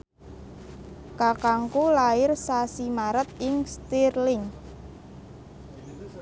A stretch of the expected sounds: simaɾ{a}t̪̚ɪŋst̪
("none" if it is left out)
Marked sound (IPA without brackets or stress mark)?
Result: ə